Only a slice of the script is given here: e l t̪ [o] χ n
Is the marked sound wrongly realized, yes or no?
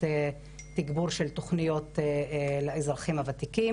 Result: no